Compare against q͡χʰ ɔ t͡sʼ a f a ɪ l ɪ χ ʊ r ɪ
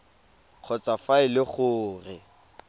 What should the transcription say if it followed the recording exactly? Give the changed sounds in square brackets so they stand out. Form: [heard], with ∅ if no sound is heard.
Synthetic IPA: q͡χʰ ɔ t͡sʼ a f a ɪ l ɪ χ [ʊː] r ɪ